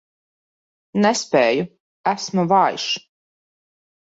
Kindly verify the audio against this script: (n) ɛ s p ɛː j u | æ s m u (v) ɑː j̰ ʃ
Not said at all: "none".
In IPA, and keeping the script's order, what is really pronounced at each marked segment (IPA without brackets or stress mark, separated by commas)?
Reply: n, v